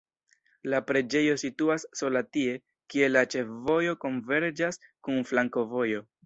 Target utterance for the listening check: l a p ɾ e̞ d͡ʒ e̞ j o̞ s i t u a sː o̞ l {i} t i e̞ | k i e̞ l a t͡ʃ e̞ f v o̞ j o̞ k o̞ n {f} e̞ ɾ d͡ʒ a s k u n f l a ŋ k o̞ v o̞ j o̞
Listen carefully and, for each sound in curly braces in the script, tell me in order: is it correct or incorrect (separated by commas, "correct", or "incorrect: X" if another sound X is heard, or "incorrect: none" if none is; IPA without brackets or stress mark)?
incorrect: a, incorrect: v